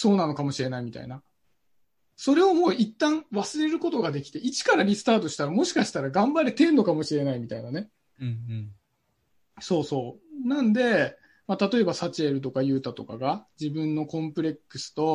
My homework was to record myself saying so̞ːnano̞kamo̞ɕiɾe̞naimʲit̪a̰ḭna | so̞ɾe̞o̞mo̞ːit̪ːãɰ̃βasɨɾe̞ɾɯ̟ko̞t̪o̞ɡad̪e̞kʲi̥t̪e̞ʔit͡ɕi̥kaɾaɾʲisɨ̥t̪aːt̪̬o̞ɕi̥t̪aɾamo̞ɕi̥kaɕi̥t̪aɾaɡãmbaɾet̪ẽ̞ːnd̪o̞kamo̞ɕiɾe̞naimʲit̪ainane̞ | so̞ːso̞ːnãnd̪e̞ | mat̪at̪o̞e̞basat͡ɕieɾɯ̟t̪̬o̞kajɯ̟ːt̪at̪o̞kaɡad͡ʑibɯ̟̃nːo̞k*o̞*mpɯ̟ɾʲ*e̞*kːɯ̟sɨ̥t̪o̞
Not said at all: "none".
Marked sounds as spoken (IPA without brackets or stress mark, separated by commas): õ̞, e̞